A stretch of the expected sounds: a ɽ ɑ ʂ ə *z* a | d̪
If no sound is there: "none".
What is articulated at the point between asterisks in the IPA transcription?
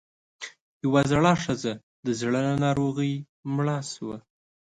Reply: z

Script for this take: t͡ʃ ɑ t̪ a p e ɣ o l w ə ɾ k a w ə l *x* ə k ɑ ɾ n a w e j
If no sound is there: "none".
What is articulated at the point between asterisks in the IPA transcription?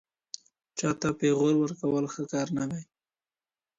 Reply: x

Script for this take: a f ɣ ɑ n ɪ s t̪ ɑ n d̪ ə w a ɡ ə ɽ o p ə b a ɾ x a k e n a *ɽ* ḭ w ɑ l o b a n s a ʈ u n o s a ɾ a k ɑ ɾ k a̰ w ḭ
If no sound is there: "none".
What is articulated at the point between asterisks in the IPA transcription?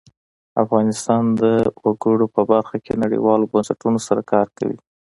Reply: ɽ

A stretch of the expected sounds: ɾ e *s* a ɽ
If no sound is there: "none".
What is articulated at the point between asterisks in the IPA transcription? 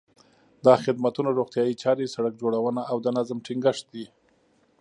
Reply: s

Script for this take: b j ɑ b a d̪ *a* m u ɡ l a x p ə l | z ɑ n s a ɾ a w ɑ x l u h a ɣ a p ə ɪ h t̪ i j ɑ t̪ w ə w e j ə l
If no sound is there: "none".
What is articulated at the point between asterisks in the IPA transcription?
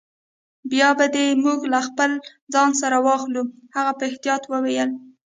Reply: e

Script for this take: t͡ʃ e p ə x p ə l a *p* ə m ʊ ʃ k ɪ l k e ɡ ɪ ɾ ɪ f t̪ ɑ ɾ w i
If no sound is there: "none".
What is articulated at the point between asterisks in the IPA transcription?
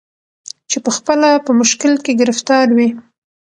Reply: p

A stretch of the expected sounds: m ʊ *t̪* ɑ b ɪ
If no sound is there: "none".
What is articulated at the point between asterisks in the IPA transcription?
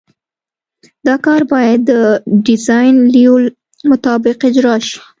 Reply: t̪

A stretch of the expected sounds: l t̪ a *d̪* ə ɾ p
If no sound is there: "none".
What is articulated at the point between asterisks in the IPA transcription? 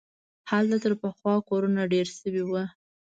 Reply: t̪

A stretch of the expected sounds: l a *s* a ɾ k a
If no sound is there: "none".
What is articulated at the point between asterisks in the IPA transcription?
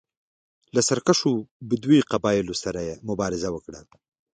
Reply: s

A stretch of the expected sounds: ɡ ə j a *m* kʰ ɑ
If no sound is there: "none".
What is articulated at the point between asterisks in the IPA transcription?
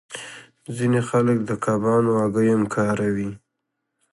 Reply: m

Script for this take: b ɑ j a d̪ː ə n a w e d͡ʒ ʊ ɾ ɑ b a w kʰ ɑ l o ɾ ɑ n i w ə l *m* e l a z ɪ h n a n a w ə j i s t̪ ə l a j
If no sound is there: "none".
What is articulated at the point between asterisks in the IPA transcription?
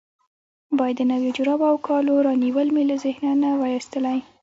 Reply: m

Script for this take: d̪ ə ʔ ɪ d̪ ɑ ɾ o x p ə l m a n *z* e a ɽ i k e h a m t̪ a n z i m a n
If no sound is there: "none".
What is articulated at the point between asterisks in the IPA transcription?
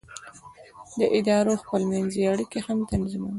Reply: z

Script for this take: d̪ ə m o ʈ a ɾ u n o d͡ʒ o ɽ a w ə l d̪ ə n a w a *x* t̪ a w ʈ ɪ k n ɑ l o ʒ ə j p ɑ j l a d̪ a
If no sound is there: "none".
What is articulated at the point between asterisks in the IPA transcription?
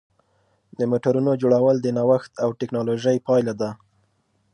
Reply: x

